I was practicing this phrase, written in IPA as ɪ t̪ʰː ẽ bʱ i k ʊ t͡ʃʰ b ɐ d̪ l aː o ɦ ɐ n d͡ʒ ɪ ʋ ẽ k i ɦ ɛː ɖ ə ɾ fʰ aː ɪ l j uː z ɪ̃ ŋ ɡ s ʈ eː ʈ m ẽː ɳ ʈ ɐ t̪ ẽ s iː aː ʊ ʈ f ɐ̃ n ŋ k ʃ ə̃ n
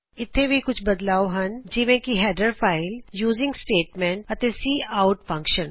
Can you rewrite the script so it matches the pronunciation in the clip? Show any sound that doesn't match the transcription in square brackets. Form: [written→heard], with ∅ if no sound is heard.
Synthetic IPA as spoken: ɪ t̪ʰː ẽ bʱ i k ʊ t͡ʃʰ b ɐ d̪ l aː o ɦ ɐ n d͡ʒ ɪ ʋ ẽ k i ɦ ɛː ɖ ə ɾ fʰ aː ɪ l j uː z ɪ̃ ŋ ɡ s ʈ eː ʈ m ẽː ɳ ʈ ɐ t̪ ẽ s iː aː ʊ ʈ f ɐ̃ [n→∅] ŋ k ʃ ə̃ n